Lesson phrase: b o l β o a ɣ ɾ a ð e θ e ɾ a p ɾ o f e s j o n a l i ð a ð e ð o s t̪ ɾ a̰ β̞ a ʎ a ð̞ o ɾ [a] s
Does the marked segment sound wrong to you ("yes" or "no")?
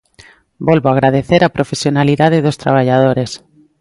yes